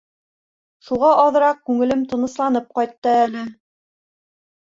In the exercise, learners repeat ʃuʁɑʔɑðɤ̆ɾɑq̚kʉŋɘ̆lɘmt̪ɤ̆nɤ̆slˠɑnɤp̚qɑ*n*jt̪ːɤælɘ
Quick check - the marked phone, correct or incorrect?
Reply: incorrect